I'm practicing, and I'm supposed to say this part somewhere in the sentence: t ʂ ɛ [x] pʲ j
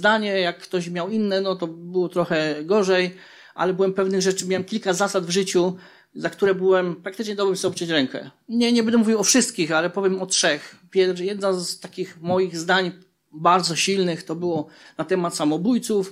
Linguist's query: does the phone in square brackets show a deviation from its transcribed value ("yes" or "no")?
no